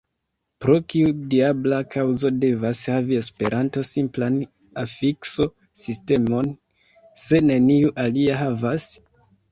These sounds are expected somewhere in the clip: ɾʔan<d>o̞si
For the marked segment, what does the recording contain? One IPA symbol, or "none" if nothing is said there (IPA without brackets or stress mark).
t